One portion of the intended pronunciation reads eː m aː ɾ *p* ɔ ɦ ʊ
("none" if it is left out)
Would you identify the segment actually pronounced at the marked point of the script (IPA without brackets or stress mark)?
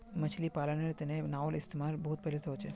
b